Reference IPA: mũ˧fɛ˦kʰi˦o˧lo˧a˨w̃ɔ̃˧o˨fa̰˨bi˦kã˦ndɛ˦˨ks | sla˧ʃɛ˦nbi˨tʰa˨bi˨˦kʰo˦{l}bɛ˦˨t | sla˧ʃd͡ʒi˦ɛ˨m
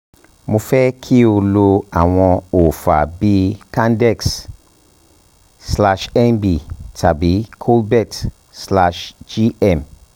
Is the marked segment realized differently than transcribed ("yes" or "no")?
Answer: no